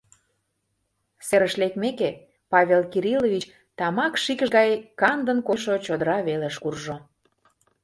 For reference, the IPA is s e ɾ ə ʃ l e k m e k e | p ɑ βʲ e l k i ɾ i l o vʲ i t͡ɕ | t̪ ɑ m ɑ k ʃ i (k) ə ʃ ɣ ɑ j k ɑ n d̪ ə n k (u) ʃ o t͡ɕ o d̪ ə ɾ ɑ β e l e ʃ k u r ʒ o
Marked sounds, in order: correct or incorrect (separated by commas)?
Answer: correct, incorrect